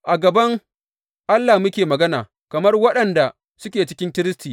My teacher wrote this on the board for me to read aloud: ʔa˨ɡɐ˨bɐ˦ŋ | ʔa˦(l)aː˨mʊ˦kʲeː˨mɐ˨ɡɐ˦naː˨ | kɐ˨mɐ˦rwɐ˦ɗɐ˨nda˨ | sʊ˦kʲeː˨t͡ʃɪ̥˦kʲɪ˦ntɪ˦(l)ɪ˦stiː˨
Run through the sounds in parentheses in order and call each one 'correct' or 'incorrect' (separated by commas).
incorrect, incorrect